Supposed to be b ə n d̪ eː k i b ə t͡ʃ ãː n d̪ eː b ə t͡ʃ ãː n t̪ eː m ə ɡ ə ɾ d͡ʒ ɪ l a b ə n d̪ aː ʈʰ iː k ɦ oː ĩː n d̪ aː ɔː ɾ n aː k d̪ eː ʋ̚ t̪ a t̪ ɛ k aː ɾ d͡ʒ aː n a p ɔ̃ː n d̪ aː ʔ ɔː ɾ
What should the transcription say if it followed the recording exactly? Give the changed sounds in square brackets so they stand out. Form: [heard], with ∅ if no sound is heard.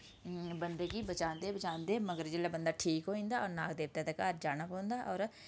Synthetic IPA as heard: b ə n d̪ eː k i b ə t͡ʃ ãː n d̪ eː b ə t͡ʃ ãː n [d̪] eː m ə ɡ ə ɾ d͡ʒ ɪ l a b ə n d̪ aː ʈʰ iː k ɦ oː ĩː n d̪ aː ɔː ɾ n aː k d̪ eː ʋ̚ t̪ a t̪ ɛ k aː ɾ d͡ʒ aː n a p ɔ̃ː n d̪ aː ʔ ɔː ɾ